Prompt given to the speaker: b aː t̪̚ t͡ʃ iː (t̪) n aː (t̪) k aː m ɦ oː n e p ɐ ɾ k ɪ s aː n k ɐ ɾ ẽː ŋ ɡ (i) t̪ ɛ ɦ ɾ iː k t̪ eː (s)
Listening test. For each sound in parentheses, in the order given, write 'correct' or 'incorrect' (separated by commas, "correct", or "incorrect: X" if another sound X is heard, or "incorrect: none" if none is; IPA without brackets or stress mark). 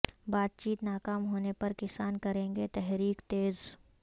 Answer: correct, incorrect: none, incorrect: e, incorrect: z